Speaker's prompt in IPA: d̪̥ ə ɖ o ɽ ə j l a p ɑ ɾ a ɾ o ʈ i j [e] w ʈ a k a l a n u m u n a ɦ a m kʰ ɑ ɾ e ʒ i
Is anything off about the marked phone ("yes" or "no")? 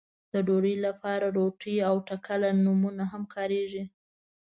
yes